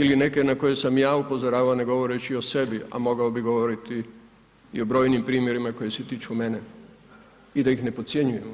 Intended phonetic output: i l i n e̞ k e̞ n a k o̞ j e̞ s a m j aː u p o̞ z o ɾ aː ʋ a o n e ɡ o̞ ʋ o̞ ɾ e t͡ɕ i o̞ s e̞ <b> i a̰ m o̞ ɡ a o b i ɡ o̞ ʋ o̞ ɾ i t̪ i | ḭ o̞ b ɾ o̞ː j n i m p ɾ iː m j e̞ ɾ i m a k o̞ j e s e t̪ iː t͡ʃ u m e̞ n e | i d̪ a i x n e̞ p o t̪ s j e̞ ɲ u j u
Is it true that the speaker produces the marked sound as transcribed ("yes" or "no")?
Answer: yes